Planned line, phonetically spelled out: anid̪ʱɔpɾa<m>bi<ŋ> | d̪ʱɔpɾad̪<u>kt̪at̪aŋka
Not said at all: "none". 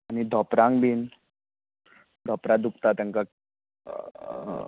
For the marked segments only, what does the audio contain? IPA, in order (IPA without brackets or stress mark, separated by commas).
ŋ, n, u